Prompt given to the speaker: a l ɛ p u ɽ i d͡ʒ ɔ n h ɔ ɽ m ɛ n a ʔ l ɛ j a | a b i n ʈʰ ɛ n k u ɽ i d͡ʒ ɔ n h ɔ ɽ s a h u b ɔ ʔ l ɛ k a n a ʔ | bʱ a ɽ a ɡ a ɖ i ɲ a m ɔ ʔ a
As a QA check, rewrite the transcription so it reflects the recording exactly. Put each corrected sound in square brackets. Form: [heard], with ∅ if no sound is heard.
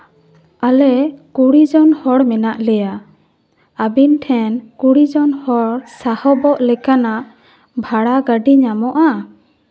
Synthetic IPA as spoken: a l ɛ [k] u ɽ i d͡ʒ ɔ n h ɔ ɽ m ɛ n a ʔ l ɛ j a | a b i n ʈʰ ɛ n k u ɽ i d͡ʒ ɔ n h ɔ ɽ s a h [ɔ] b ɔ ʔ l ɛ k a n a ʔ | bʱ a ɽ a ɡ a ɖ i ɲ a m ɔ ʔ a